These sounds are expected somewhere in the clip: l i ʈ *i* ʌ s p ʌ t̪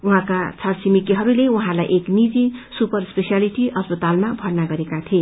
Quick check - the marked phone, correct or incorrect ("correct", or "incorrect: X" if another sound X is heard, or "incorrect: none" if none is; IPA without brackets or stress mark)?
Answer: correct